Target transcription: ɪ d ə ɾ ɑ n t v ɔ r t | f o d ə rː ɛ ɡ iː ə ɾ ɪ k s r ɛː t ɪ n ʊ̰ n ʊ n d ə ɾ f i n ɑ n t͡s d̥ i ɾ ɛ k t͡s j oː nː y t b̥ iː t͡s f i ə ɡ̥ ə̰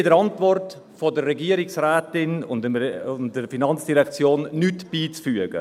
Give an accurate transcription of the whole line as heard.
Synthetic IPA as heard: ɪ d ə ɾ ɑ n t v ɔ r t | f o d ə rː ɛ ɡ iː ə ɾ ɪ k s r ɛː t ɪ n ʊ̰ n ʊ n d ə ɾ f i n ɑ n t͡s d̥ i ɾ ɛ k t͡s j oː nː y t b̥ iː t͡s f y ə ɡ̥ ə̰